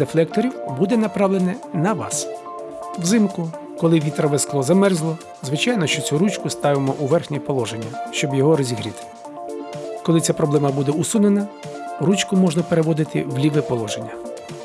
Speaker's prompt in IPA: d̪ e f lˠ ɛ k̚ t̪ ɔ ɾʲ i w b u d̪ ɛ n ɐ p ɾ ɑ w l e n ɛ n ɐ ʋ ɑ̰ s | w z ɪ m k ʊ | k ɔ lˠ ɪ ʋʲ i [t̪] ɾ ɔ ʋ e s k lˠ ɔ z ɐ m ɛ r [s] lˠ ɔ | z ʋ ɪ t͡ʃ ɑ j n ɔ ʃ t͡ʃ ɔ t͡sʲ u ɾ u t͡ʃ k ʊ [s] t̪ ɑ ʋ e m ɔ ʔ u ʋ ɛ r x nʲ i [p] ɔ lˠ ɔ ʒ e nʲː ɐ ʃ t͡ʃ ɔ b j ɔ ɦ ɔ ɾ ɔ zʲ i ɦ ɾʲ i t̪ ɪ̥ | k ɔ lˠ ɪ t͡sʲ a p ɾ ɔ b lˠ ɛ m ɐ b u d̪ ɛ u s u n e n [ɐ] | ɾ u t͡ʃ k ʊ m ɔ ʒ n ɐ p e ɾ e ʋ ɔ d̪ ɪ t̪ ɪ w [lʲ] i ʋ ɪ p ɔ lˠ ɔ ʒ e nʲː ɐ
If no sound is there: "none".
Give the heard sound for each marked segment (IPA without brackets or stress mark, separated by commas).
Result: t̪, z, s, p, ɐ, lʲ